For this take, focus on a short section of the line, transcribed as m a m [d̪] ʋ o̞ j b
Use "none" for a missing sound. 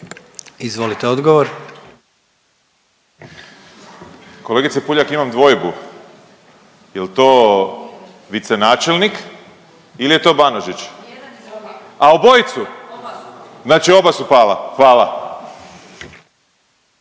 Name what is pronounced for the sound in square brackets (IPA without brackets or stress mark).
d̪